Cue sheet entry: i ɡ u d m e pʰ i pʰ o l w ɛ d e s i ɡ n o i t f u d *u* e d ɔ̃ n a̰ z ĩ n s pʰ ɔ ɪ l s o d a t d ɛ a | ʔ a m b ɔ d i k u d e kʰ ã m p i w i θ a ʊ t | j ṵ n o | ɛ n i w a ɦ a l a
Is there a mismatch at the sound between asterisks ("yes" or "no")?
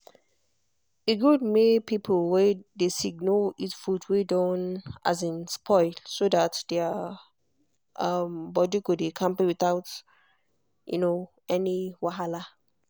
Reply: yes